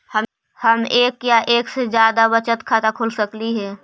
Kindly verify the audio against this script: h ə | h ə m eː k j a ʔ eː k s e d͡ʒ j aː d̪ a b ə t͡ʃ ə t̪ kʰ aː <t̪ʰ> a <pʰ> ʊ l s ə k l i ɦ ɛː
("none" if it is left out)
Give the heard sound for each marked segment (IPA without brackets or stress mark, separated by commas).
t̪, kʰ